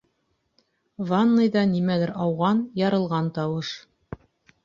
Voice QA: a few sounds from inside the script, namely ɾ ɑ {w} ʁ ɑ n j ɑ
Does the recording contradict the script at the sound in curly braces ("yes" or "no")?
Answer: no